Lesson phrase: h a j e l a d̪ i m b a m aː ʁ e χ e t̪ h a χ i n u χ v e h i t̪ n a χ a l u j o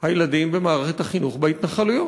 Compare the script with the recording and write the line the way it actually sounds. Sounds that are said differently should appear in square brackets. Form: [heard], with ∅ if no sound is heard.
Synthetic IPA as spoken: h a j e l a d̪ i m b [e] m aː ʁ e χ e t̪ h a χ i n u χ [b] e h i t̪ n a χ a l u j o